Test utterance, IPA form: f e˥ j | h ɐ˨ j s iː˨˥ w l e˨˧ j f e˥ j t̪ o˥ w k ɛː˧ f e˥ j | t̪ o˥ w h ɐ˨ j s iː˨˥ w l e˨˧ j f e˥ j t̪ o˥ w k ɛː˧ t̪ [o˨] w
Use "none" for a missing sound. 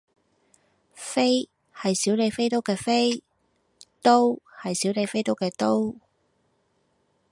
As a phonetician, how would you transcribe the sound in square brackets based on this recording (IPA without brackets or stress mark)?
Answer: o˥